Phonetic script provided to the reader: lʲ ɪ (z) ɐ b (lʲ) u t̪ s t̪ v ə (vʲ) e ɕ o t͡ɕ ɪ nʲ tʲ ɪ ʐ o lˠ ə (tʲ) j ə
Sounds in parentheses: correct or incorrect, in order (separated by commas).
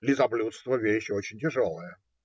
correct, correct, correct, incorrect